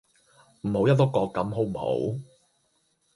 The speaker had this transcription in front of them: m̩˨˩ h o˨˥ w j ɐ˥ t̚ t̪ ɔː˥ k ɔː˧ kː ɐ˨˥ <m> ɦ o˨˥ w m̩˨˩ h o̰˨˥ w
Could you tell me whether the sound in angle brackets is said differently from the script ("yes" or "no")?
no